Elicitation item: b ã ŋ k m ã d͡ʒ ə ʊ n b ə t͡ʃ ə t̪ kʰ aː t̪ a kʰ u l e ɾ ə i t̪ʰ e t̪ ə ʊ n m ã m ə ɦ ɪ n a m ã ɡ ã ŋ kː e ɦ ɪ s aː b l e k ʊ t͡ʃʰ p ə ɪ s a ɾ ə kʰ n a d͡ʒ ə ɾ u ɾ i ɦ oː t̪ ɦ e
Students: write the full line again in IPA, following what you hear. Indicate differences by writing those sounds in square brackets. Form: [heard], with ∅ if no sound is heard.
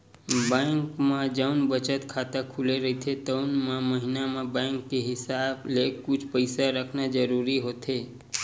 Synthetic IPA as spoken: b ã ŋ k m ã d͡ʒ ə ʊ n b ə t͡ʃ ə t̪ kʰ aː t̪ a kʰ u l e ɾ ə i t̪ʰ e t̪ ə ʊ n m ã m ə ɦ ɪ n a m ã [b] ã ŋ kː e ɦ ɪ s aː b l e k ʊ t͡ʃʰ p ə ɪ s a ɾ ə kʰ n a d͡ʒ ə ɾ u ɾ i ɦ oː t̪ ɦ e